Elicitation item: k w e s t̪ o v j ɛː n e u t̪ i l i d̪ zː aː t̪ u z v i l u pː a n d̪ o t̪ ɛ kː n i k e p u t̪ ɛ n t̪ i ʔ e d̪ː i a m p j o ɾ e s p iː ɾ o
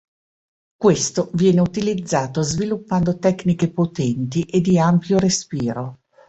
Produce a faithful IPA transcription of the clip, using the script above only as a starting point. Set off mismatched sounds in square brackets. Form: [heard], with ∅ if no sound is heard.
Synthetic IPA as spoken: k w e s t̪ o v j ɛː n e u t̪ i l i d̪ zː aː t̪ [o] z v i l u pː a n d̪ o t̪ ɛ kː n i k e p [o] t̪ ɛ n t̪ i ʔ e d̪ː i a m p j o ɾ e s p iː ɾ o